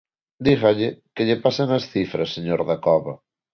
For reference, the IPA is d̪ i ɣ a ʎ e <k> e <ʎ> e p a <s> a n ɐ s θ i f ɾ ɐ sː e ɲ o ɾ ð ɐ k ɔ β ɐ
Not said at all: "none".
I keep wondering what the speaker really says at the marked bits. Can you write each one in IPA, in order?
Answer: k, ʎ, s

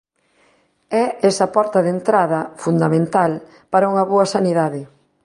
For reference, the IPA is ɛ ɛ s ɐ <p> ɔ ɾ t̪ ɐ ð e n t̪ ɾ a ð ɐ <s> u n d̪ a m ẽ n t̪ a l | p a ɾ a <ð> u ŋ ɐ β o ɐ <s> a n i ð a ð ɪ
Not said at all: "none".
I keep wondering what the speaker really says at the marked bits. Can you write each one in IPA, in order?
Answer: p, f, none, s

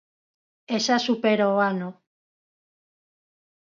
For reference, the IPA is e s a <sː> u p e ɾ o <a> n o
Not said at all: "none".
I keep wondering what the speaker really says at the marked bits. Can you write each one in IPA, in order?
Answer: s, a

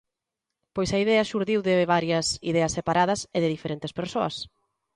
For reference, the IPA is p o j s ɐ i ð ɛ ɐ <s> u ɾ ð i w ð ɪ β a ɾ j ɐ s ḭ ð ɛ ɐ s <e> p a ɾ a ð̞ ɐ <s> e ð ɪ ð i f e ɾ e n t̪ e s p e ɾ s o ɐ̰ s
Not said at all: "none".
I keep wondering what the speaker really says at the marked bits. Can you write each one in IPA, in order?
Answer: ʃ, e, s

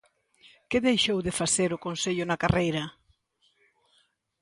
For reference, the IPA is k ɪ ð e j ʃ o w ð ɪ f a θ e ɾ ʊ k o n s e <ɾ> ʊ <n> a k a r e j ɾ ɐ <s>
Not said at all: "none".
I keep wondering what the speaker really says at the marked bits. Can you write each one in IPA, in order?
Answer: ʎ, n, none

